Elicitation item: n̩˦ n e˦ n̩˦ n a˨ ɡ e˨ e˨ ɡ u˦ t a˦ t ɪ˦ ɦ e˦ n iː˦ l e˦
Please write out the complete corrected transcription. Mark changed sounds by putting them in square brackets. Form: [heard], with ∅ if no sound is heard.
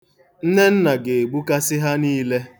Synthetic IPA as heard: n̩˦ n e˦ n̩˦ n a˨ ɡ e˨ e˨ [ɡ͡b] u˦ [k] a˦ [s] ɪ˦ ɦ [a˦] n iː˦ l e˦

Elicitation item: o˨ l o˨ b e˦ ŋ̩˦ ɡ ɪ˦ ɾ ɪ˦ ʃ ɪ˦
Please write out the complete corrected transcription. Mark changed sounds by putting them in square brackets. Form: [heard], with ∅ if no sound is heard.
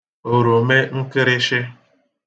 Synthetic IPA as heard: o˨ [ɾ] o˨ [m] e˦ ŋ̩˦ [k] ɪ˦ ɾ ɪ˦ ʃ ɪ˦

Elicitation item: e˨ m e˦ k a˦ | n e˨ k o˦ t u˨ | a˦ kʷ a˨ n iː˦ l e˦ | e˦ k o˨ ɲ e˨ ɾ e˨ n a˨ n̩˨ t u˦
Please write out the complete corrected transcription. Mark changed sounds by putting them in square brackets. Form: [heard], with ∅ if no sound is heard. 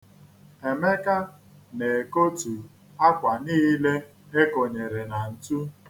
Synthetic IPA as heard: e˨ m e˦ k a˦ | n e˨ k o˦ t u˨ | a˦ kʷ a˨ n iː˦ l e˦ | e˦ k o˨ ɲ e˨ ɾ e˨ n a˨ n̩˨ t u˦

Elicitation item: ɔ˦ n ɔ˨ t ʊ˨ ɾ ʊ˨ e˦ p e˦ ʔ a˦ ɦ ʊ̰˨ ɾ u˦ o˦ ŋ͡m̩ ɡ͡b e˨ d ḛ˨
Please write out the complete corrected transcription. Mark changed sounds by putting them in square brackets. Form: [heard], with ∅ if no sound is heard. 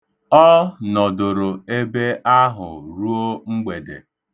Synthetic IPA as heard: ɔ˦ n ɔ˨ [d] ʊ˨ ɾ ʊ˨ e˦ [b] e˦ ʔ a˦ ɦ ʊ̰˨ ɾ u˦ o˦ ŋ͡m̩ ɡ͡b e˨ d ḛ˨

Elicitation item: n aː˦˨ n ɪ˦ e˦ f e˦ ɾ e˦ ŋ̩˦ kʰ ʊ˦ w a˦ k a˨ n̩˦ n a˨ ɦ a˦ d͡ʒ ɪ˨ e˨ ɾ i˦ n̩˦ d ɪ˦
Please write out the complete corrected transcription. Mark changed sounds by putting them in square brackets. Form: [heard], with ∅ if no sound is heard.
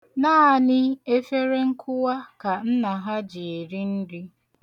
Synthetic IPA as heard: n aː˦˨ n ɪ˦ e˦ f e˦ ɾ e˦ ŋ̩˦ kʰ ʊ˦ w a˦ k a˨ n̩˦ n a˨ ɦ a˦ d͡ʒ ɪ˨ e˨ ɾ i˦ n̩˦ d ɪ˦

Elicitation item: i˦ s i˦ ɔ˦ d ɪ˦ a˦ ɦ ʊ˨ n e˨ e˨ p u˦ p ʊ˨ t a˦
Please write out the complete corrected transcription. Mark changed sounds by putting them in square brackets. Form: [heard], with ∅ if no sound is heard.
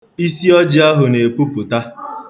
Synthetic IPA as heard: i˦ s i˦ ɔ˦ [d͡ʒ] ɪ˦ a˦ ɦ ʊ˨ n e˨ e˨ p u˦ p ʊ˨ t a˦

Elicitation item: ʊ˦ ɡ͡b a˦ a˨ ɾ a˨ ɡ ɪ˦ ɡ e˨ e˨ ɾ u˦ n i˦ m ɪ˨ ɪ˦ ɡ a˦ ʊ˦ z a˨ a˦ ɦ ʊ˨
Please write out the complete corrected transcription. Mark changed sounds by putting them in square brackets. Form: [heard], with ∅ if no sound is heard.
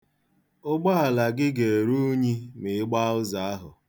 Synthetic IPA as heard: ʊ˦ ɡ͡b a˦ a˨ [l] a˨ ɡ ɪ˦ ɡ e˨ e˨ ɾ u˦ [ɲ] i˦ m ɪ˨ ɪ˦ [ɡ͡b] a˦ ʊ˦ z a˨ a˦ ɦ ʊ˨

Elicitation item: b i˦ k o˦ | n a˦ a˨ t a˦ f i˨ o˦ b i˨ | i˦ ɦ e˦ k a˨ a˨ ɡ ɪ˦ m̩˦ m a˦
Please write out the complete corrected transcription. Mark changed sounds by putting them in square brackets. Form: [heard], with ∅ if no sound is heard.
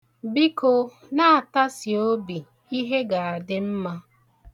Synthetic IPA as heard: b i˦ k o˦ | n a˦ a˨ t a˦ [s] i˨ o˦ b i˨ | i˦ ɦ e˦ [ɡ] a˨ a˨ [d] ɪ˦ m̩˦ m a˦

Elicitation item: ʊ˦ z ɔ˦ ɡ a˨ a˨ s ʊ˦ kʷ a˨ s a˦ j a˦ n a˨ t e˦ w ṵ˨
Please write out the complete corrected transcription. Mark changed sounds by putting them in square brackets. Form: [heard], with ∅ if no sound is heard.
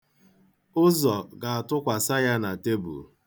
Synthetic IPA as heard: ʊ˦ z [ɔ˨] ɡ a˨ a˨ [t] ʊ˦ kʷ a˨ s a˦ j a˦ n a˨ t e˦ [b] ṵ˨

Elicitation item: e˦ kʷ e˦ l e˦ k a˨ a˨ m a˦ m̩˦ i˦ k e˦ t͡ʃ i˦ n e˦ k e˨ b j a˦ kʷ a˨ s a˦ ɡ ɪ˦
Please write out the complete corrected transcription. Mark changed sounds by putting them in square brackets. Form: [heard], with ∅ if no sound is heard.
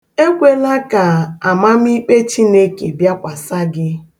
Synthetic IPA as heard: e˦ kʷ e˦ l [a˦] k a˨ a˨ m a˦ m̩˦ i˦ [k͡p] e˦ t͡ʃ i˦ n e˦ k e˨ b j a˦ kʷ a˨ s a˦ ɡ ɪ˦

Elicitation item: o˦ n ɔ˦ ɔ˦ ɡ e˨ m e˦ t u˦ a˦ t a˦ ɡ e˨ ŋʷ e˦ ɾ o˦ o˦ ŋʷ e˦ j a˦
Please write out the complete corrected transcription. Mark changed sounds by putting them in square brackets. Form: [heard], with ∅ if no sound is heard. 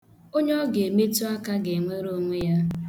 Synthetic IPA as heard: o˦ [ɲ] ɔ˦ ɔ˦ ɡ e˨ m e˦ t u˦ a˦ [k] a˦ ɡ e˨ ŋʷ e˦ ɾ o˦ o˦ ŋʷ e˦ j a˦

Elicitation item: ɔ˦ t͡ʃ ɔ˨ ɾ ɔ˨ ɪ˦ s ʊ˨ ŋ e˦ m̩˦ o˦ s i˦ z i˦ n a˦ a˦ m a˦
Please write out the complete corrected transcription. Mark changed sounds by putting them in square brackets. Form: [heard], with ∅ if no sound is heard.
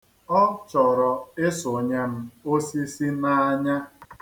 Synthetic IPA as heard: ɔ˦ t͡ʃ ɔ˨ ɾ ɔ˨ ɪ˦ s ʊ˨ [ɲ] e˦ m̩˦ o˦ s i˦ [s] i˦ n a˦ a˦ [ɲ] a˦

